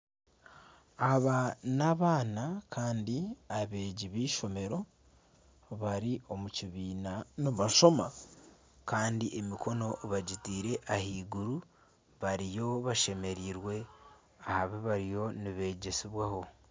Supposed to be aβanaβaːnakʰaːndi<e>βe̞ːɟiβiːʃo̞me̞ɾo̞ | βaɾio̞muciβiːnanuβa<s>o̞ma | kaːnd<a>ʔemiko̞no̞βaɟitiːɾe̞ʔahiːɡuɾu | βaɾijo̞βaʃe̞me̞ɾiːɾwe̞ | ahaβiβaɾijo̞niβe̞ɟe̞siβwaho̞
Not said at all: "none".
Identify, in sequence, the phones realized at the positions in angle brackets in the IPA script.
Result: a, ʃ, i

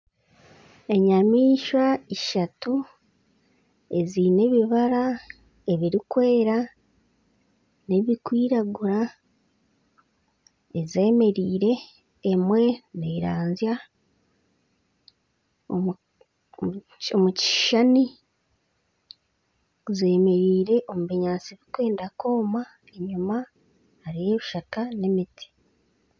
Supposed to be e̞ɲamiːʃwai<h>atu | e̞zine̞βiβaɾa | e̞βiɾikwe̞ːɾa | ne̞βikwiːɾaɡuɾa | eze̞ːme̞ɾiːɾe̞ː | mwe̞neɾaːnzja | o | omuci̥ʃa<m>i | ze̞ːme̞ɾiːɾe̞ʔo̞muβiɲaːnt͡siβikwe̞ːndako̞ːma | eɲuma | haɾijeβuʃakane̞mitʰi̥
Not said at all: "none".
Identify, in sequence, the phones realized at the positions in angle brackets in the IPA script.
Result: ʃ, n

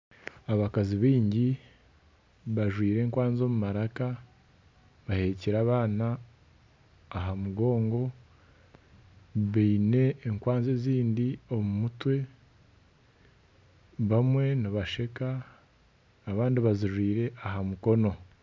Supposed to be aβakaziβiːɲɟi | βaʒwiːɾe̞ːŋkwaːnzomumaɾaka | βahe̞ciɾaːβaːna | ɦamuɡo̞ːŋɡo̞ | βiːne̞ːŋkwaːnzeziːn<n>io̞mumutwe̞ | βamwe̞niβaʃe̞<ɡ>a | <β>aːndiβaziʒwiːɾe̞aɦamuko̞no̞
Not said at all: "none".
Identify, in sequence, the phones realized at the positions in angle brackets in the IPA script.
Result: d, k, β

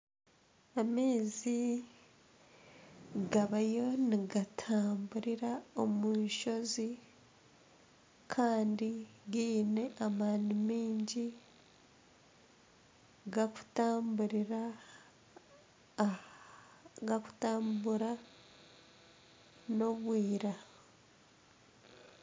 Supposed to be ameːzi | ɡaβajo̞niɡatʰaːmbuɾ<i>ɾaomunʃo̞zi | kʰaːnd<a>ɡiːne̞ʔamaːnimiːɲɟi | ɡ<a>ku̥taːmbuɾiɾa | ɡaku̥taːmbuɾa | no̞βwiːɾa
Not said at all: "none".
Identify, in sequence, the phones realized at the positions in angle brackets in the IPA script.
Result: i, i, a

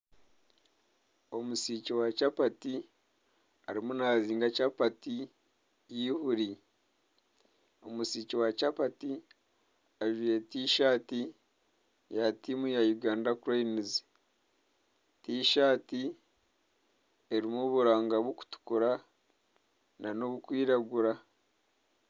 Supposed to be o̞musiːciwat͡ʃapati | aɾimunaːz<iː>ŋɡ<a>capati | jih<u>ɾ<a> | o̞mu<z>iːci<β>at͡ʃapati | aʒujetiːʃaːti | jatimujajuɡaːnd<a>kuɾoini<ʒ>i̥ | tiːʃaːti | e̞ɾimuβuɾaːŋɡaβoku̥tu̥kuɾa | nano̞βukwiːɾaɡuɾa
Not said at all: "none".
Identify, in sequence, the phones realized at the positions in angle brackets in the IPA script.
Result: iː, a, u, i, s, w, a, z

